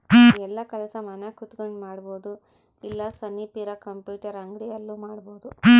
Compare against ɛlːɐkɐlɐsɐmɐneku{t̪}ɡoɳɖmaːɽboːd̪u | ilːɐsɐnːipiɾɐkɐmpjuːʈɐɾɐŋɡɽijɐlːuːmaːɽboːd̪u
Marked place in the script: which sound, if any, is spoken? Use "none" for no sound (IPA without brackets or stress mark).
t̪